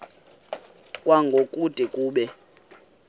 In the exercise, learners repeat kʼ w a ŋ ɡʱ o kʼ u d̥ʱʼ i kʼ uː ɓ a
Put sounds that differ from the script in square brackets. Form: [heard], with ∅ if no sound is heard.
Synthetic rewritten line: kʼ w a ŋ ɡʱ o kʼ u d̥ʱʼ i kʼ uː ɓ [ɛ]